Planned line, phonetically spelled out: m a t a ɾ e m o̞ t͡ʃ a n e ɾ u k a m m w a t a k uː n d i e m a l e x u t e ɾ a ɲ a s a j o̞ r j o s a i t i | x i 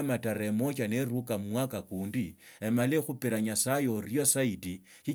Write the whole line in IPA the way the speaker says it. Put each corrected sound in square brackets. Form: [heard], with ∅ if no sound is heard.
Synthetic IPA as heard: m a t a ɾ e m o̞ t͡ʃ a n e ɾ u k a m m w a [k] a k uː n d i e m a l e x u [p] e ɾ a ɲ a s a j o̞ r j o s a i t i | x i